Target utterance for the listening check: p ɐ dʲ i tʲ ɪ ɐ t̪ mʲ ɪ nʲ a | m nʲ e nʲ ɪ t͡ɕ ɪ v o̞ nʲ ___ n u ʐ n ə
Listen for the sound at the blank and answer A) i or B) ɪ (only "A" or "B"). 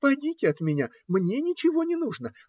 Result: B